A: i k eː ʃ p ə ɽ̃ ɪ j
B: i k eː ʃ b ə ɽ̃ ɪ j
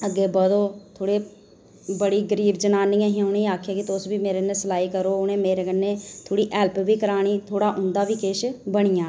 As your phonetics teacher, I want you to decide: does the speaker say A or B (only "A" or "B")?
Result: B